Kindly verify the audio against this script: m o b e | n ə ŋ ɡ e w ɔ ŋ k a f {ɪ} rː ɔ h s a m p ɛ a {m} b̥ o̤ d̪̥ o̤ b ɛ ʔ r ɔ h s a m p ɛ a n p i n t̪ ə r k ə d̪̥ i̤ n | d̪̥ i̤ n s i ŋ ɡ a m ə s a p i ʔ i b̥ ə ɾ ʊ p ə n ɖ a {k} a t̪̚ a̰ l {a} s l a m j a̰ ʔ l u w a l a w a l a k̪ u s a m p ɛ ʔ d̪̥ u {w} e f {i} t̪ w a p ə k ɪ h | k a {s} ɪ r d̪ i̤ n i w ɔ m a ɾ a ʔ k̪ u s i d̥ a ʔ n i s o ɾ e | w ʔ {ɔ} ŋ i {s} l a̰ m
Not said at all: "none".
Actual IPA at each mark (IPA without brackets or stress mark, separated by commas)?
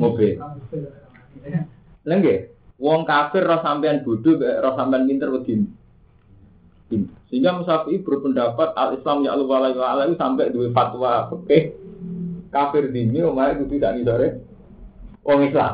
ɪ, n, p, i, w, a, f, ɔ, s